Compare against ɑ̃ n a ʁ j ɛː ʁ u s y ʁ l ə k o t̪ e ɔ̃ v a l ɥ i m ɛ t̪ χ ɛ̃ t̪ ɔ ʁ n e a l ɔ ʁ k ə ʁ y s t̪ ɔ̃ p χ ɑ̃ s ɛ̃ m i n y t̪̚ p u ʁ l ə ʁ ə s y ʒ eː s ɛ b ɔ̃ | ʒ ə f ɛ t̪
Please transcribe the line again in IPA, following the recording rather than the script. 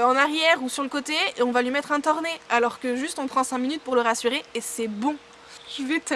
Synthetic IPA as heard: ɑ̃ n a ʁ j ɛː ʁ u s y ʁ l ə k o t̪ e ɔ̃ v a l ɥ i m ɛ t̪ χ ɛ̃ t̪ ɔ ʁ n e a l ɔ ʁ k ə ʒ y s t̪ ɔ̃ p χ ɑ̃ s ɛ̃ m i n y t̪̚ p u ʁ l ə ʁ a s y ʁ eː s ɛ b ɔ̃ | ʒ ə v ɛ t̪